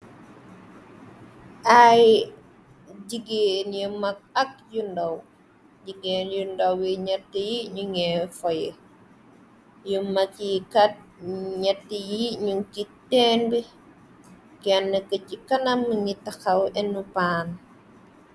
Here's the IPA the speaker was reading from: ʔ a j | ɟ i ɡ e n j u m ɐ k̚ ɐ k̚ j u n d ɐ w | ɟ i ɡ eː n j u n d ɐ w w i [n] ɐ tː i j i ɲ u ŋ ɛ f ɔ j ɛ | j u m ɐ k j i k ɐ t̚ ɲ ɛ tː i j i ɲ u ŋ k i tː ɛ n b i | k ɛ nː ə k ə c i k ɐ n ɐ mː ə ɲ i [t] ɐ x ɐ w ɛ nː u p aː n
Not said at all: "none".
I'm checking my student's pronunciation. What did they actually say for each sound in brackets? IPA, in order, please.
ɲ, t

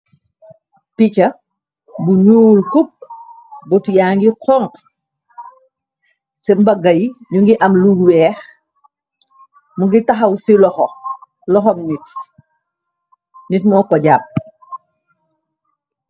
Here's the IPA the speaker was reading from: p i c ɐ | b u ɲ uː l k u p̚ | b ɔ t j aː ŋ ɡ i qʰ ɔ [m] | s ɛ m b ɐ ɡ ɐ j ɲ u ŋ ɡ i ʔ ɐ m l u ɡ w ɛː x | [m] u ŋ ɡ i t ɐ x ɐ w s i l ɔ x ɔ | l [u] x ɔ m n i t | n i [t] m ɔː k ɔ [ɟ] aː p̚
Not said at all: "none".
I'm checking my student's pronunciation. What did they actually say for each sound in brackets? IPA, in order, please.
ŋ, m, ɔ, t, ɟ

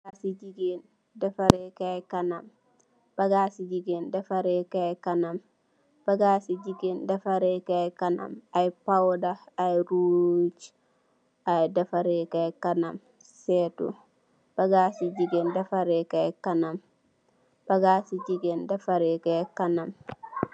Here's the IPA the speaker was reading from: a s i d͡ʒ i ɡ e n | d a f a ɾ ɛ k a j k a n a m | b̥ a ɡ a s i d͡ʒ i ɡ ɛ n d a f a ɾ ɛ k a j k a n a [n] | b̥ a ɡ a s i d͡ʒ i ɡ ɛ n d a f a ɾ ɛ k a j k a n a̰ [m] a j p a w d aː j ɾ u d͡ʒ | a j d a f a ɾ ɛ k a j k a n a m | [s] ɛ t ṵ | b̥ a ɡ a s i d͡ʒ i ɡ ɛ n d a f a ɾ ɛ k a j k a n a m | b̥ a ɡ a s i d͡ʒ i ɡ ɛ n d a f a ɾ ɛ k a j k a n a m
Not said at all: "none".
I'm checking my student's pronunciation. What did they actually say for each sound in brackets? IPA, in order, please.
m, m, s

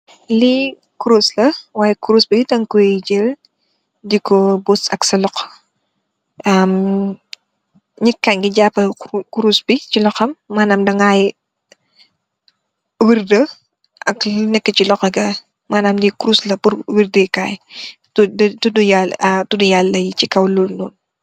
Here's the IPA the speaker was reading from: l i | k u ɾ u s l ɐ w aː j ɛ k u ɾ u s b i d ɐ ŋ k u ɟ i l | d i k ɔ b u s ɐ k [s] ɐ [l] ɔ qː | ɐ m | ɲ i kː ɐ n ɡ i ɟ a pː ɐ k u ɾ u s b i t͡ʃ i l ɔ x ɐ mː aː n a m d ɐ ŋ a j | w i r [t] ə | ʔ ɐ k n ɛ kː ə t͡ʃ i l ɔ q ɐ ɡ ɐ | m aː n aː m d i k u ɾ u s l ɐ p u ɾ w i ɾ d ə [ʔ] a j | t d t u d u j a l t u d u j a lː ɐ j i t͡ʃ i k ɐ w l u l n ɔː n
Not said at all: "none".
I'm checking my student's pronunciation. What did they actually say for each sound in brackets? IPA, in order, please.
s, l, d, k

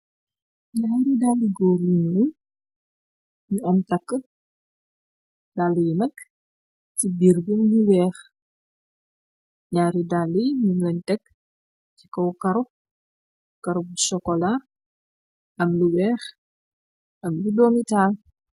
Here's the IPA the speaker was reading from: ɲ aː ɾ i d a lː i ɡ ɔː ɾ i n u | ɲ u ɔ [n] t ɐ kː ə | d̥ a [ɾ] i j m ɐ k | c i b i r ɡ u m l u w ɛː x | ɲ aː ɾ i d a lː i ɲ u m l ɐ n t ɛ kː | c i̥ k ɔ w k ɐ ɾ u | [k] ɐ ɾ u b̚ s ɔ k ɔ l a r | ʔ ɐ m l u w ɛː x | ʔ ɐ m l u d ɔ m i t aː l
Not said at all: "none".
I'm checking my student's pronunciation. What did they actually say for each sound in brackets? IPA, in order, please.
m, l, k

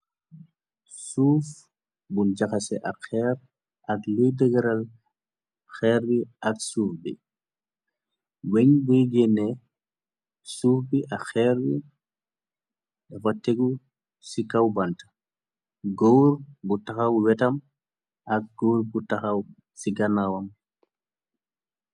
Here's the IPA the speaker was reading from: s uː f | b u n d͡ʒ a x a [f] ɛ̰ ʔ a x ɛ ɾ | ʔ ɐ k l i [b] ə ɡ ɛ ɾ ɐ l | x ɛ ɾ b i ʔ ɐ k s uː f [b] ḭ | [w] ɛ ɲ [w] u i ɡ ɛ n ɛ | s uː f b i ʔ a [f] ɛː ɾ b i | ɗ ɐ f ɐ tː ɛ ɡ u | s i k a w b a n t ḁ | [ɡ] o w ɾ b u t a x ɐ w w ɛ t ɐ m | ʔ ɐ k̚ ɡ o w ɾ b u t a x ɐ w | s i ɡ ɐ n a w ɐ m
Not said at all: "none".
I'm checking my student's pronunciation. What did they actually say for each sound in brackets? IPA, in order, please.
s, d, b, w, b, x, ɡ

